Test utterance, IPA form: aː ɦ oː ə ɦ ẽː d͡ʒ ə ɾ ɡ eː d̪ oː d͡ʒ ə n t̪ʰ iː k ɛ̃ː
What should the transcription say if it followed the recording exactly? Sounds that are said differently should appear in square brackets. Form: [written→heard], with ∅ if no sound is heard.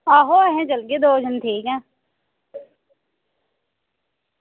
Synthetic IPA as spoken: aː ɦ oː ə ɦ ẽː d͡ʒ ə [ɾ→l] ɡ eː d̪ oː d͡ʒ ə n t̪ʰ iː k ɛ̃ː